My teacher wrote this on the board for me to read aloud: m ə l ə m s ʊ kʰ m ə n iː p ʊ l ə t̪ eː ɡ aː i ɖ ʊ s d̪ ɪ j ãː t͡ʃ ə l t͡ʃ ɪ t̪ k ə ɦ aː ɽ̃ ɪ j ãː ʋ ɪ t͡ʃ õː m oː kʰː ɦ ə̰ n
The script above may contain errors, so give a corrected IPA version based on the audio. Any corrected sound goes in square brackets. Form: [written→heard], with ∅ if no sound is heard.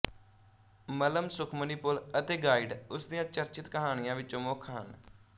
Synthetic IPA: m ə l ə m s ʊ kʰ m ə n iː p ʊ l ə t̪ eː ɡ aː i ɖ ʊ s d̪ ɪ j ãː t͡ʃ ə [l→ɾ] t͡ʃ ɪ t̪ k ə ɦ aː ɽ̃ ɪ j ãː ʋ ɪ t͡ʃ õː m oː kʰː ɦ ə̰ n

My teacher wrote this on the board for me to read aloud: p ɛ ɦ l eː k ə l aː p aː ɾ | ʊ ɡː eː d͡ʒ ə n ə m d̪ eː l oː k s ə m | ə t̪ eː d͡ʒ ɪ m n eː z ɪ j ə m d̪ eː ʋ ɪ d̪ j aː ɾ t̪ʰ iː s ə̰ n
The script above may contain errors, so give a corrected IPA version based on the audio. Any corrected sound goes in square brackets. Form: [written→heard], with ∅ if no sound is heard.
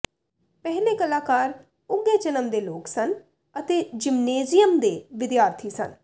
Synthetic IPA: p ɛ ɦ l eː k ə l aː [p→k] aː ɾ | ʊ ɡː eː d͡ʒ ə n ə m d̪ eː l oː k s ə [m→n] | ə t̪ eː d͡ʒ ɪ m n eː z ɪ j ə m d̪ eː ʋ ɪ d̪ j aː ɾ t̪ʰ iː s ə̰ n

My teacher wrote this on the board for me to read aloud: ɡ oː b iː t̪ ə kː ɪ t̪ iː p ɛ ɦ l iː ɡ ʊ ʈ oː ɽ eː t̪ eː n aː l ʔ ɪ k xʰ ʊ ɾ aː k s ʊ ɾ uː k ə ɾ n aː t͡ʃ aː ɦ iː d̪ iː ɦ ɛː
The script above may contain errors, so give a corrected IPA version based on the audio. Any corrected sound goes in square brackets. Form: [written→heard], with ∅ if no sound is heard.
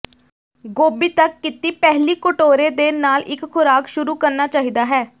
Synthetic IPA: ɡ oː b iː t̪ ə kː ɪ t̪ iː p ɛ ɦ l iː [ɡ→k] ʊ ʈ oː [ɽ→ɾ] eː [t̪→d̪] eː n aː l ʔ ɪ k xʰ ʊ ɾ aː k [s→ʃ] ʊ ɾ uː k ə ɾ n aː t͡ʃ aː ɦ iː d̪ [iː→aː] ɦ ɛː

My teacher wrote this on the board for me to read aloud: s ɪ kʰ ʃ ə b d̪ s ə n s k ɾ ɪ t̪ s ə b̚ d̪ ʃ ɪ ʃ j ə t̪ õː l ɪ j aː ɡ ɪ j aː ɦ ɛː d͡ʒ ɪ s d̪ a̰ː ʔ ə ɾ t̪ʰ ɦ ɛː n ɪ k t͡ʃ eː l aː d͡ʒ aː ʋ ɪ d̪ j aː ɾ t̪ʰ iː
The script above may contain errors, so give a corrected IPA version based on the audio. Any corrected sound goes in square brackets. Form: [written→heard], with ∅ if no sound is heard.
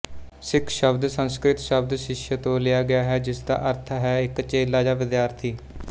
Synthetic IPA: s ɪ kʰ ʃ ə b d̪ s ə n s k ɾ ɪ t̪ [s→ʃ] ə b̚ d̪ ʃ ɪ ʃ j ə t̪ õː l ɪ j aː ɡ ɪ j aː ɦ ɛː d͡ʒ ɪ s d̪ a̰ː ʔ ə ɾ t̪ʰ ɦ ɛː [n→∅] ɪ k t͡ʃ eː l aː d͡ʒ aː ʋ ɪ d̪ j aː ɾ t̪ʰ iː

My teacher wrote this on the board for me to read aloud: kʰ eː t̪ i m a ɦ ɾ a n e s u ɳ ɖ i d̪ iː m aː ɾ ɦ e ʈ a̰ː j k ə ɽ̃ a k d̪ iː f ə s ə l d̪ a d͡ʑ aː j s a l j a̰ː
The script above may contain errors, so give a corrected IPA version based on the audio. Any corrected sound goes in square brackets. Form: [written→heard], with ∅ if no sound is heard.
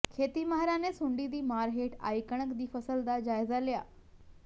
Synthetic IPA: kʰ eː t̪ i m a ɦ ɾ a n e s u ɳ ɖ i d̪ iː m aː ɾ ɦ e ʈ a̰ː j k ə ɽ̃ [a→ə] k d̪ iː f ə s ə l d̪ a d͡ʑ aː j [s→z] a l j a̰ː

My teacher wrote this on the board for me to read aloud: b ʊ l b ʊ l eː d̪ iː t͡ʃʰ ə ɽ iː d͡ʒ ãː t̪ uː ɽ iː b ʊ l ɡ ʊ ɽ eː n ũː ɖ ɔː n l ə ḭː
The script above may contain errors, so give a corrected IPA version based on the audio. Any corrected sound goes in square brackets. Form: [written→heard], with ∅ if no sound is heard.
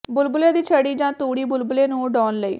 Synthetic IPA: b ʊ l b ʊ l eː d̪ iː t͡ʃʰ ə ɽ iː d͡ʒ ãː t̪ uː ɽ iː b ʊ l [ɡ→b] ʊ [ɽ→l] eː n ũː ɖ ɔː n l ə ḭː

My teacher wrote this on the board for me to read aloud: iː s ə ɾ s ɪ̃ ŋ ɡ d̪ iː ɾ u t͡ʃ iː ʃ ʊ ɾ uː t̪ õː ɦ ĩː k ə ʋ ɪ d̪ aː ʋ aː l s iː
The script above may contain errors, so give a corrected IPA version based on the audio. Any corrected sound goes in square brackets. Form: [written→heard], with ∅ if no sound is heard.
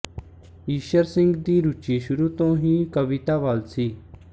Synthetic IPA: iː [s→ʃ] ə ɾ s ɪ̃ ŋ ɡ d̪ iː ɾ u t͡ʃ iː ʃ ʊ ɾ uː t̪ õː ɦ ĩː k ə ʋ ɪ [d̪→t̪] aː ʋ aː l s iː

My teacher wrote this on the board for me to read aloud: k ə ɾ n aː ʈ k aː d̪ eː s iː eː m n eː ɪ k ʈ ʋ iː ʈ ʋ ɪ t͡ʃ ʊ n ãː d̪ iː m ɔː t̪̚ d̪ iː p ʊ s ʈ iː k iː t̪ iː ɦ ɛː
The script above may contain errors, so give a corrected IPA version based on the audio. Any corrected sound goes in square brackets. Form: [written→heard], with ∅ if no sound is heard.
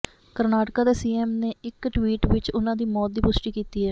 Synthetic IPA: k ə ɾ n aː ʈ k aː d̪ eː s iː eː m n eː ɪ k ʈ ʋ iː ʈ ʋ ɪ t͡ʃ ʊ n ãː d̪ iː m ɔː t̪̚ d̪ iː p ʊ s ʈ iː k iː t̪ iː ɦ ɛː

